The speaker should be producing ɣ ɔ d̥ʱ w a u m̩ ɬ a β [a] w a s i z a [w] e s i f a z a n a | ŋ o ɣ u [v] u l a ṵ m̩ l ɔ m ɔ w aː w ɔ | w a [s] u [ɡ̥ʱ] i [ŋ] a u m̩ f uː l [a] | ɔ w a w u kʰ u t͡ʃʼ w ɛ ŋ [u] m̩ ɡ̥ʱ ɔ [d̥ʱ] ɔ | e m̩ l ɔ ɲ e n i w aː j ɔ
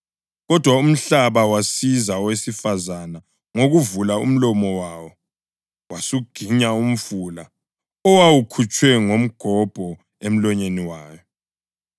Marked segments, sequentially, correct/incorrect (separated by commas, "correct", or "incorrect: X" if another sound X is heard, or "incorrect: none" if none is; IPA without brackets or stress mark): correct, correct, correct, correct, correct, incorrect: ɲ, correct, incorrect: o, incorrect: b̥ʱ